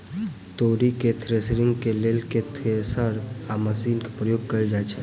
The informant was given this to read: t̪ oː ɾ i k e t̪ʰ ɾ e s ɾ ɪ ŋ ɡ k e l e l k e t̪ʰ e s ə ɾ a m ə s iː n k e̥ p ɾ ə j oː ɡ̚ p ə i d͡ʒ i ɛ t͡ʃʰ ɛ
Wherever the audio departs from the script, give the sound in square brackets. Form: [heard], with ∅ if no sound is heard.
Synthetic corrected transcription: t̪ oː ɾ i k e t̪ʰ ɾ e s ɾ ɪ ŋ ɡ k e l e l k e t̪ʰ e s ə ɾ a m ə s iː n k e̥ p ɾ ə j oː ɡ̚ [k] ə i d͡ʒ [a] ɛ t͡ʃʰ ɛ